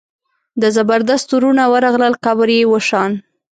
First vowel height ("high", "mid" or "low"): mid